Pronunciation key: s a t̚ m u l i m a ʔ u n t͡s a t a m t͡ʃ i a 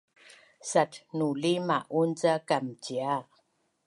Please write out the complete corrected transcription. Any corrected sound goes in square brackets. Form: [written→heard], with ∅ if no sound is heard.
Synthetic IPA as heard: s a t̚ [m→n] u l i m a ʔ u n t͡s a [t→k] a m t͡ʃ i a